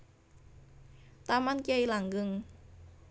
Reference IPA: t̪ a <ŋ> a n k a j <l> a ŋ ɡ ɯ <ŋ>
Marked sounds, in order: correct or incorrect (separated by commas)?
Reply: incorrect, correct, correct